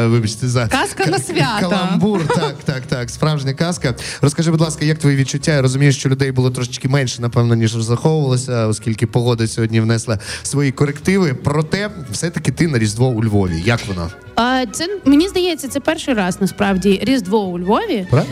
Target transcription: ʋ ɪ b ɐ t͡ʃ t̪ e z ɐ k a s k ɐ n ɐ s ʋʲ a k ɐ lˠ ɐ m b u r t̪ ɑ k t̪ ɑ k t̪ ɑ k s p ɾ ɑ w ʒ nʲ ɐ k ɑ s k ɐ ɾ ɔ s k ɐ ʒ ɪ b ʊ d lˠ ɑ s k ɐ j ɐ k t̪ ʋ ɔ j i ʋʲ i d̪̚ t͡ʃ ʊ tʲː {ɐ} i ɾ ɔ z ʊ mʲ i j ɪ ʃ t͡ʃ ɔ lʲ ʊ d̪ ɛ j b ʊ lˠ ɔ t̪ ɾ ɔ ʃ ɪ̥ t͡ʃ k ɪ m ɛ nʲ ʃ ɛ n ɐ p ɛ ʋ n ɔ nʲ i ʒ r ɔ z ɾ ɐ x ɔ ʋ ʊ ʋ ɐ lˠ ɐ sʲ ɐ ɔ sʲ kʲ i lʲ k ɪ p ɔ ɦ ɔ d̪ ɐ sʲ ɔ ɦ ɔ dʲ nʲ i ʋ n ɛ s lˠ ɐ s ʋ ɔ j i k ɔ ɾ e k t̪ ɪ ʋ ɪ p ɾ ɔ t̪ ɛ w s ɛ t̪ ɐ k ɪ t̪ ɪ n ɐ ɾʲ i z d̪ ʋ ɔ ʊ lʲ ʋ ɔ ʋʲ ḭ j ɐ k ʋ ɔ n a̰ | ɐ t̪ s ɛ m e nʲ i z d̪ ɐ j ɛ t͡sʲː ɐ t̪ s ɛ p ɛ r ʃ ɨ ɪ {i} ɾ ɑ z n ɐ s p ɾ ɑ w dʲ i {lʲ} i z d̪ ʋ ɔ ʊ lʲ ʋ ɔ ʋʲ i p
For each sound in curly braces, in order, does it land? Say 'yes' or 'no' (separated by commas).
no, no, no